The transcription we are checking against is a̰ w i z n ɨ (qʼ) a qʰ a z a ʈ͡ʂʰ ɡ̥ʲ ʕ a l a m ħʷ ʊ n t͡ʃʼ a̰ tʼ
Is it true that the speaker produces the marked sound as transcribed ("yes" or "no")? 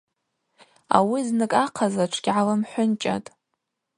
no